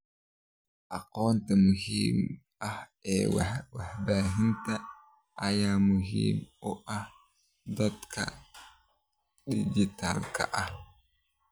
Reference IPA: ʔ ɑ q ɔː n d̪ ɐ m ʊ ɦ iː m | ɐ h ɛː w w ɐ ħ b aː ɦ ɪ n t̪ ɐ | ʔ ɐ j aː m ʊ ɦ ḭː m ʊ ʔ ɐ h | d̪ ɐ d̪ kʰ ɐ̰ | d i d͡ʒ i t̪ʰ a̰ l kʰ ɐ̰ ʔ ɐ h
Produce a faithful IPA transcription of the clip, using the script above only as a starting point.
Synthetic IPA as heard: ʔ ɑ q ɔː n t̪ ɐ m ʊ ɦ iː m | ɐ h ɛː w w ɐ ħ b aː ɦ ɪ n t̪ ɐ | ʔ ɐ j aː m ʊ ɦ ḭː m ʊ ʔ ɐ h | d̪ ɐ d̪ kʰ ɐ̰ | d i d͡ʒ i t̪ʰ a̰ l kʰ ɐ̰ ʔ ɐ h